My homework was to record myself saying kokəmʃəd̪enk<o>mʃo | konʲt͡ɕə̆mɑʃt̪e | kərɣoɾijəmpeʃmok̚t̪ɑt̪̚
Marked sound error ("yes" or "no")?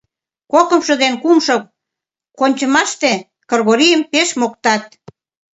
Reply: yes